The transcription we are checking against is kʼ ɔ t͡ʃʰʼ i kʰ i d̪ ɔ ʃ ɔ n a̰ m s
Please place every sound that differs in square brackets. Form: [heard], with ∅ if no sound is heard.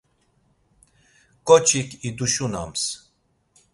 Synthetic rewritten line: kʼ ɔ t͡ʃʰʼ i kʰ i d̪ [u] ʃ [u] n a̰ m s